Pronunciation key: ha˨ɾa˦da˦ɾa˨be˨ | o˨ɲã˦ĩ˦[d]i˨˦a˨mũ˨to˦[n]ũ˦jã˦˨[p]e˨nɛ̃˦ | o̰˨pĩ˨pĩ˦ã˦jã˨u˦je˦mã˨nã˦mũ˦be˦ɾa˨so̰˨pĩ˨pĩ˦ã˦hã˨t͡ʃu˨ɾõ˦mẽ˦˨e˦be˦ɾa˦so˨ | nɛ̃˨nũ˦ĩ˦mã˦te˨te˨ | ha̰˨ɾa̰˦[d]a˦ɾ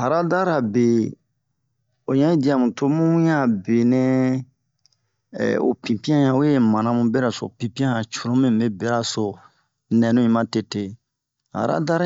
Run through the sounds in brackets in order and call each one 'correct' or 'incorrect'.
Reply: correct, incorrect, incorrect, correct

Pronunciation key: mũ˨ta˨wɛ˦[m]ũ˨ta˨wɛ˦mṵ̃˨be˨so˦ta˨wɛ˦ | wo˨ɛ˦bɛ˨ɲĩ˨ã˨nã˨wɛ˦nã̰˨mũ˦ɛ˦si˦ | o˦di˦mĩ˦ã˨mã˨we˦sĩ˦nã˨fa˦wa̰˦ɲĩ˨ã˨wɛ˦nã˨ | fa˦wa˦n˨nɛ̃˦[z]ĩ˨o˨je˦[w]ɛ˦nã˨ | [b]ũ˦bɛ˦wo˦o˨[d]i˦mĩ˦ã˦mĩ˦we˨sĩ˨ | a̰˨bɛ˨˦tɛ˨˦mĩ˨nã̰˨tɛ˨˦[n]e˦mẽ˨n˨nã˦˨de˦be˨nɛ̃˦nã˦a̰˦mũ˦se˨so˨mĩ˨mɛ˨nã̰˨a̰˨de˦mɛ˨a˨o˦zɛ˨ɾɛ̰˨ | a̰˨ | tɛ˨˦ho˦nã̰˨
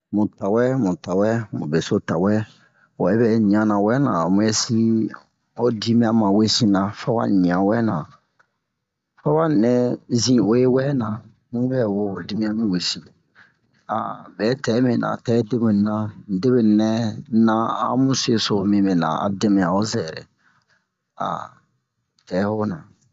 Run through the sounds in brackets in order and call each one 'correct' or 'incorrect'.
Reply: correct, correct, correct, incorrect, correct, incorrect

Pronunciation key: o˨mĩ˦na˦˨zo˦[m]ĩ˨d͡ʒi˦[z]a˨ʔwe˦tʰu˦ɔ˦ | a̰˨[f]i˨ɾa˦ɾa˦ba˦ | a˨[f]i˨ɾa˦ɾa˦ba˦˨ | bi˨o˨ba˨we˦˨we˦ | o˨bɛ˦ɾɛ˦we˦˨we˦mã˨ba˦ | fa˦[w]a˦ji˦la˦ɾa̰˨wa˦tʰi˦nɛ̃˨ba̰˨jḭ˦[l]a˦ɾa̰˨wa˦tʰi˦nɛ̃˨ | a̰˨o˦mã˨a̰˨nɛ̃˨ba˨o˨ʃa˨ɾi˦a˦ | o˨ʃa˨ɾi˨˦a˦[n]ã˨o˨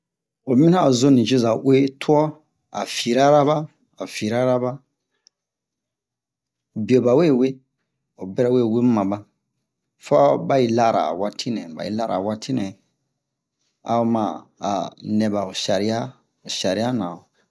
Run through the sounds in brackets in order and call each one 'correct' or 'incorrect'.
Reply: incorrect, correct, correct, correct, incorrect, correct, correct

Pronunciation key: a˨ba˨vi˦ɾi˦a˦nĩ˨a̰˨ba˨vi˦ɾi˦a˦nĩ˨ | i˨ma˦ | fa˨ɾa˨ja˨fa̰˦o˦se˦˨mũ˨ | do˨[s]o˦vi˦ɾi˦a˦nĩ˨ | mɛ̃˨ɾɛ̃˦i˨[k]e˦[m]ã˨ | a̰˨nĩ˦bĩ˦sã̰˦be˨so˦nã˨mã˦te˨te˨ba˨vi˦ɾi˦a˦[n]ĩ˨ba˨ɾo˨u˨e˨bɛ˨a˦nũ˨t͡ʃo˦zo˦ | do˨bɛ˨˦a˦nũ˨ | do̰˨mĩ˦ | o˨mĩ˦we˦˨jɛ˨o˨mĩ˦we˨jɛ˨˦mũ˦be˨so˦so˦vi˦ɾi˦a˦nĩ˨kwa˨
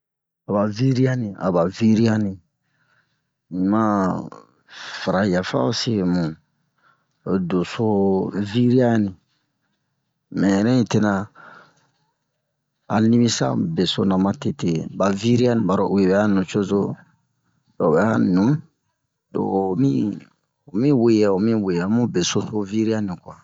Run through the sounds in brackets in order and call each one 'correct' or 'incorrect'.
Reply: correct, incorrect, incorrect, correct

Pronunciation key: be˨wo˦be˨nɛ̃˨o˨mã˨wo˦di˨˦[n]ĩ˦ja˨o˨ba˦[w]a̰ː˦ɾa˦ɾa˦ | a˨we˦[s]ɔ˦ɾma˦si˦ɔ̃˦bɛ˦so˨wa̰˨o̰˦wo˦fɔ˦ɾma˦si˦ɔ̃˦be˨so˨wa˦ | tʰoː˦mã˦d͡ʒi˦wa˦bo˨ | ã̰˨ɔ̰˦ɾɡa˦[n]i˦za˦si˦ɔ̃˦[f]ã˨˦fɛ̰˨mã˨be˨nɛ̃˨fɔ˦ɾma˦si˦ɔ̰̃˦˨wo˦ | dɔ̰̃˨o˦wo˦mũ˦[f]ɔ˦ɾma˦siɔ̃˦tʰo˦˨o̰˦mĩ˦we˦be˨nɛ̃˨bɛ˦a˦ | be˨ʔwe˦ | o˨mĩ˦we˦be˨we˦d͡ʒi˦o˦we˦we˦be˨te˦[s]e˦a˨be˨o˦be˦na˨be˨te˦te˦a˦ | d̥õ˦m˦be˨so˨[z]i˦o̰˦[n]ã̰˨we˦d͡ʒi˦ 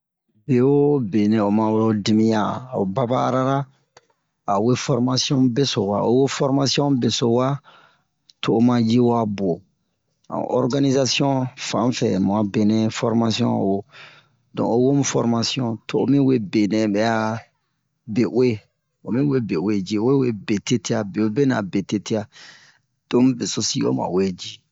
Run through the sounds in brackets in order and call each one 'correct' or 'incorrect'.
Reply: incorrect, incorrect, incorrect, correct, correct, correct, incorrect, incorrect, incorrect

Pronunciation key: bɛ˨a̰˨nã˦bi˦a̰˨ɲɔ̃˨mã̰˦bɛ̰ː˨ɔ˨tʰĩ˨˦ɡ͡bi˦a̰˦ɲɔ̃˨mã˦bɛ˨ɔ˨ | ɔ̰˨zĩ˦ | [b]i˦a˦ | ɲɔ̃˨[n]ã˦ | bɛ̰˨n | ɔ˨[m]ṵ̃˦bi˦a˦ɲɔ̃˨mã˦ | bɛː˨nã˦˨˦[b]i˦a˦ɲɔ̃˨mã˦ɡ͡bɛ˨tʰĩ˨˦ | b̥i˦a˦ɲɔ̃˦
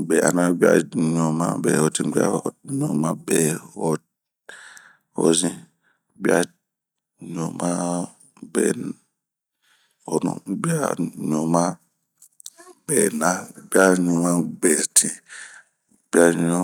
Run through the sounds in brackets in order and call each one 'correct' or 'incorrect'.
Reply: correct, incorrect, incorrect, correct

